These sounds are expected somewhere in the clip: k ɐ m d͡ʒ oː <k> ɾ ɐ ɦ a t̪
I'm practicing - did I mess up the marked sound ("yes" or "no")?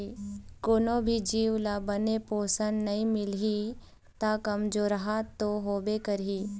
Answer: yes